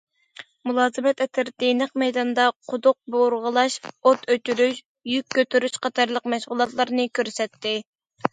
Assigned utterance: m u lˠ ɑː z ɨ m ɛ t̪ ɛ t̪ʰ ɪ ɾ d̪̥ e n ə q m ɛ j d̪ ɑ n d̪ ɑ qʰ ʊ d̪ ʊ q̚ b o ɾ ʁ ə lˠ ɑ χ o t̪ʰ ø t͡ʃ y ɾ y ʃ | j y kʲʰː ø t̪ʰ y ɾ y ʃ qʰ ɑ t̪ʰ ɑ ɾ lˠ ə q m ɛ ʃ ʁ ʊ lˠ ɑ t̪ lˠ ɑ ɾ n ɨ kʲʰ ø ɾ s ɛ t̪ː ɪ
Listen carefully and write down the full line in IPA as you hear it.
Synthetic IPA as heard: m u lˠ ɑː z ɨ m ɛ t̪ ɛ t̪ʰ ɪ ɾ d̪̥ e n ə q m ɛ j d̪ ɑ n d̪ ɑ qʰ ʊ d̪ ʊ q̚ b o ɾ ʁ ə lˠ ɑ ʃ o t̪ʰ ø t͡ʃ y ɾ y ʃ | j y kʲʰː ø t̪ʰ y ɾ y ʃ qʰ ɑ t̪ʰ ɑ ɾ lˠ ə q m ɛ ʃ ʁ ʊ lˠ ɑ t̪ lˠ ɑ ɾ n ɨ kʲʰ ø ɾ s ɛ t̪ː ɪ